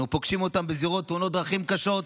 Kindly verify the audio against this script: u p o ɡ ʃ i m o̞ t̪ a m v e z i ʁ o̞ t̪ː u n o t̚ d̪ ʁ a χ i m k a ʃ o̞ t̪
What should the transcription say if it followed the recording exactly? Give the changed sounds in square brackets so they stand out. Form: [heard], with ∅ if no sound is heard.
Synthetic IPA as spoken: u p o ɡ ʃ i m o̞ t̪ a m [b] e z i ʁ o̞ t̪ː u n o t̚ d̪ ʁ a χ i m k a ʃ o̞ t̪